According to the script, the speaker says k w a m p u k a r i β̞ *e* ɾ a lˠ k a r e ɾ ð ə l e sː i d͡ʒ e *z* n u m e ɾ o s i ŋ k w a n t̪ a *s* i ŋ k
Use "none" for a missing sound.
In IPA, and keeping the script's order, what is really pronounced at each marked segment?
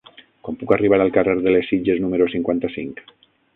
a, z, s

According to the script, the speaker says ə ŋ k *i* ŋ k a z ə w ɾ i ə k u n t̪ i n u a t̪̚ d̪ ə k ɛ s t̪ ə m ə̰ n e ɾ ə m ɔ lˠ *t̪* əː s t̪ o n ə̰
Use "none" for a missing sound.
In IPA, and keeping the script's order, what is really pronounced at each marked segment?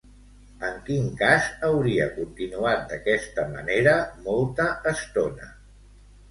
i, t̪

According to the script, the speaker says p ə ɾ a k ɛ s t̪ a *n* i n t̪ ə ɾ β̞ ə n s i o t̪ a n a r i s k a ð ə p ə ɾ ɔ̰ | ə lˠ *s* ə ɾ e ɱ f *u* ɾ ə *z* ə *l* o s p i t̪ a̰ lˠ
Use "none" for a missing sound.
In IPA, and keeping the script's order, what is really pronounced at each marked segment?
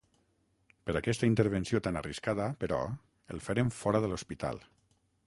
none, f, ɔ, ð, l

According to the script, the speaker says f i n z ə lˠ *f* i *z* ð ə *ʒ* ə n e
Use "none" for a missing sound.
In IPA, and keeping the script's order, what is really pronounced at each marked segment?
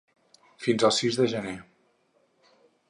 s, z, ʒ

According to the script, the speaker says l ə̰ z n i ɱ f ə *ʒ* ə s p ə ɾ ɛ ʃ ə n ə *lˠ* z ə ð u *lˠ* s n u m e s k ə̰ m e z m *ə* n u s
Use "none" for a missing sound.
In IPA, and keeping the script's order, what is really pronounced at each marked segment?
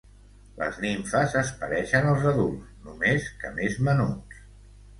z, lˠ, lˠ, ə

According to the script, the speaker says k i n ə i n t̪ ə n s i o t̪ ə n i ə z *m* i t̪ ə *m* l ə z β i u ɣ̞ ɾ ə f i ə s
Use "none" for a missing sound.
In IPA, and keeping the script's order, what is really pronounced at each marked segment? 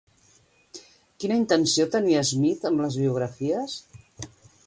m, m

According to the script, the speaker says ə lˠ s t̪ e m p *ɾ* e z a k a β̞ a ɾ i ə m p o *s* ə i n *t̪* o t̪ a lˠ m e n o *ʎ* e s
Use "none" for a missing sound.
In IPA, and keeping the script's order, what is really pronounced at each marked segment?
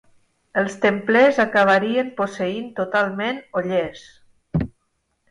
l, s, t̪, ʎ

